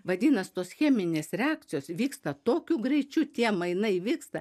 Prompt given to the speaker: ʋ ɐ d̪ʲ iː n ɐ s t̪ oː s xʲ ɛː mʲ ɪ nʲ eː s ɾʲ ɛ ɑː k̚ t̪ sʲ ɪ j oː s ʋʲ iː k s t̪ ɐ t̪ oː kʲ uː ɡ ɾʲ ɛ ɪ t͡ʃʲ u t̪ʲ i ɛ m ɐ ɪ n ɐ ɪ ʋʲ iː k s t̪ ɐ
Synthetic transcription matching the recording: ʋ ɐ d̪ʲ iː n ɐ s t̪ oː s xʲ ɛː mʲ ɪ nʲ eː s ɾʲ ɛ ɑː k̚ t̪ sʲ ɪ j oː s ʋʲ iː k s t̪ ɐ t̪ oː kʲ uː ɡ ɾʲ ɛ ɪ t͡ʃʲ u t̪ʲ i ɛ m ɐ ɪ n ɐ ɪ ʋʲ iː k s t̪ ɐ